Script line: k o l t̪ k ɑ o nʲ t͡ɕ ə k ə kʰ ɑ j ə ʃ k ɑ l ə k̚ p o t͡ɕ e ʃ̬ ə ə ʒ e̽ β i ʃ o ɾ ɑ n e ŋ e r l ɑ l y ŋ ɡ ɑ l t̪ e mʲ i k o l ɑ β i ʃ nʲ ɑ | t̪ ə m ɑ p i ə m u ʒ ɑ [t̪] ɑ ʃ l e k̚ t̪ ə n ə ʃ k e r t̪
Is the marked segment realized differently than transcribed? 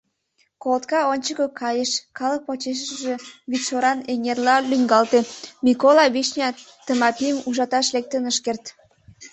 no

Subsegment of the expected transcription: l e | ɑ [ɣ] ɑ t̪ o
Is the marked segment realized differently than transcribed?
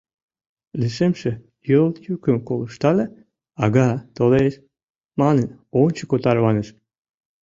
no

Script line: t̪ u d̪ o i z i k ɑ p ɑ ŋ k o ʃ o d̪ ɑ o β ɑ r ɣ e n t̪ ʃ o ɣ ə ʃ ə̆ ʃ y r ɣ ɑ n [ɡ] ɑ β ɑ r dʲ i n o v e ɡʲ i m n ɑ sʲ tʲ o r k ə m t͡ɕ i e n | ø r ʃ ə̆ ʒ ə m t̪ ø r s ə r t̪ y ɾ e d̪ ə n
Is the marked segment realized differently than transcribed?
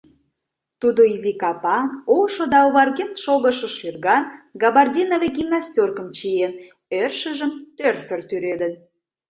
no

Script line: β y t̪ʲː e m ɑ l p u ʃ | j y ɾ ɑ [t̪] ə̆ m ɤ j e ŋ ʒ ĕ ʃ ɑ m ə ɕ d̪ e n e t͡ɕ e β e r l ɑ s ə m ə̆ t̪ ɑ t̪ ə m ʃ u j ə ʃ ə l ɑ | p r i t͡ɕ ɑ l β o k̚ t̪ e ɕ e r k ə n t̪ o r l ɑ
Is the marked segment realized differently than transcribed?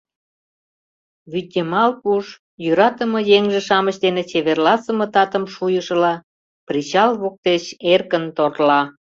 no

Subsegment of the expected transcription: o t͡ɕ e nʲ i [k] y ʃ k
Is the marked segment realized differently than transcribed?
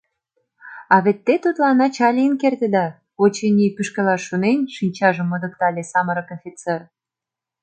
yes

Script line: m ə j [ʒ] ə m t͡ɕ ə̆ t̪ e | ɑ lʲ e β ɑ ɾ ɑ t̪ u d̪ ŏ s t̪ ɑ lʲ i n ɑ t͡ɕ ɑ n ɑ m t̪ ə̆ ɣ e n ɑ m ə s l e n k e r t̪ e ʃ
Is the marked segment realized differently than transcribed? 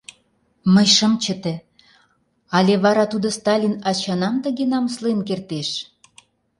yes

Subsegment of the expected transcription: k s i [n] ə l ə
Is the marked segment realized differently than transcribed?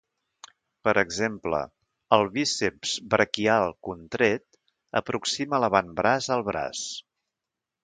yes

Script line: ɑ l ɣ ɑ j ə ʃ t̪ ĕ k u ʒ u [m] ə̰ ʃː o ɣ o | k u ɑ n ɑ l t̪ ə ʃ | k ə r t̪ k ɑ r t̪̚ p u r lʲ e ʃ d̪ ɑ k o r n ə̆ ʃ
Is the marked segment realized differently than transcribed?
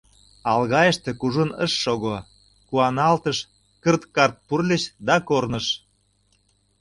yes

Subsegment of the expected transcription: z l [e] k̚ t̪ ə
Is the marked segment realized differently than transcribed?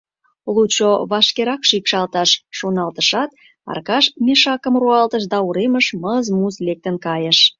no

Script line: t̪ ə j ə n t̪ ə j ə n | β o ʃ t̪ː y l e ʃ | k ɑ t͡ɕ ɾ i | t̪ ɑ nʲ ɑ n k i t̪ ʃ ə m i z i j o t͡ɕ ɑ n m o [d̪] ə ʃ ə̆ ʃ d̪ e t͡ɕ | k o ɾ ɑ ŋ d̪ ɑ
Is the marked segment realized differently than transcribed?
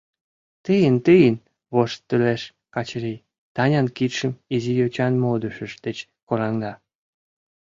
no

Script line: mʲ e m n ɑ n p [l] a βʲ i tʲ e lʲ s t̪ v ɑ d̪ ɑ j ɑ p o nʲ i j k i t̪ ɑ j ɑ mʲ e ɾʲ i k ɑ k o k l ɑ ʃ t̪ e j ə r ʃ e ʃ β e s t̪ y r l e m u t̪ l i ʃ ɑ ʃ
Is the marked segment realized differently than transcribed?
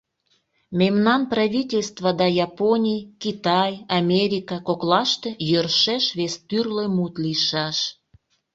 yes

